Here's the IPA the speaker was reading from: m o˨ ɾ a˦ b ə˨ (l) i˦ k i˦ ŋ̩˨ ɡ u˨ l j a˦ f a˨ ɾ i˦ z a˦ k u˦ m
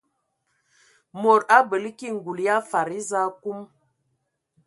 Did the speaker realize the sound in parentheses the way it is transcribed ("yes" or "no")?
yes